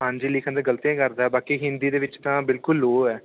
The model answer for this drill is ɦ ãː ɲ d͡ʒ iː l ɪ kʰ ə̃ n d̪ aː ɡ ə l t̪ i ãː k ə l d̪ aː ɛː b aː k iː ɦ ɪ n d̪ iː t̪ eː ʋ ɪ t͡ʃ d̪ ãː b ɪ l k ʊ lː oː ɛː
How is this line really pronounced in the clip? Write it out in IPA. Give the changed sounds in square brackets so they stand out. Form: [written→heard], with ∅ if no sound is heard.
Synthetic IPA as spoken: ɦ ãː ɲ d͡ʒ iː l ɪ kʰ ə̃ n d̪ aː ɡ ə l t̪ i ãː k ə [l→ɾ] d̪ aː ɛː b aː k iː ɦ ɪ n d̪ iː [t̪→d̪] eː ʋ ɪ t͡ʃ [d̪→t̪] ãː b ɪ l k ʊ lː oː ɛː